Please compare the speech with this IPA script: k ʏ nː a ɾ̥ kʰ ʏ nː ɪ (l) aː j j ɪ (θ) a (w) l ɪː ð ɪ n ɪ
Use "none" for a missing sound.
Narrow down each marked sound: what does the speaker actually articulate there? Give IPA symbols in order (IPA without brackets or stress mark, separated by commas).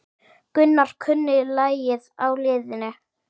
l, ð, w